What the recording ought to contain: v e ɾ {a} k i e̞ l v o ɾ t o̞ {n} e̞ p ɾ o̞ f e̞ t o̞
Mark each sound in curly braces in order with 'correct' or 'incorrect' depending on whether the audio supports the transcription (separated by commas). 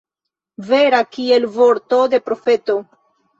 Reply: correct, incorrect